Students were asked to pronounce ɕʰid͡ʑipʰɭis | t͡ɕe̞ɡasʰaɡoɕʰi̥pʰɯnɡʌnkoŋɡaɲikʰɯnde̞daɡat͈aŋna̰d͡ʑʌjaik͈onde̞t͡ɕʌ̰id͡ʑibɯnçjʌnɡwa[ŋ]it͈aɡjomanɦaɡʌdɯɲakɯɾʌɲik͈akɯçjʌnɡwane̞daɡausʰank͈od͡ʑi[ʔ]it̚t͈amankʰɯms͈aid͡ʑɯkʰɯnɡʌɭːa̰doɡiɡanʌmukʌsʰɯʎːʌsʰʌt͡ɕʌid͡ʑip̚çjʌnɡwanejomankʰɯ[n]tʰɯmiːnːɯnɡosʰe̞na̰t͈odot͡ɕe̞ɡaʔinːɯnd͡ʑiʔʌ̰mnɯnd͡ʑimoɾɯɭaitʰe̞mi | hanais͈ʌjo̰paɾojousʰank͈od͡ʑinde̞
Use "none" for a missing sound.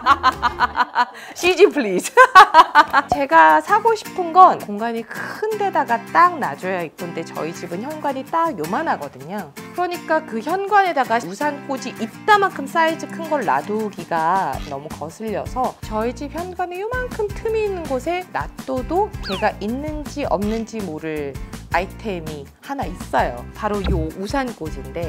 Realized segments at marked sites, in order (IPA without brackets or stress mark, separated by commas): ɲ, ʔ, m